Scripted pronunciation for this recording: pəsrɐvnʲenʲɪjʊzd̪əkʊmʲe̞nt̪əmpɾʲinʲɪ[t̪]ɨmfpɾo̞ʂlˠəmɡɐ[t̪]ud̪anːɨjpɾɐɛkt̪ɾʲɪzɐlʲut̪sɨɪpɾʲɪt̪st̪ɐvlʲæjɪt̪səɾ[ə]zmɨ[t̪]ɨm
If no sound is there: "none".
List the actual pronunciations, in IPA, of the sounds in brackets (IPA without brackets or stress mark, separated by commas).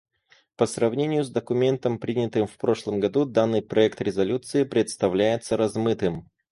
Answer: t̪, d̪, ɐ, t̪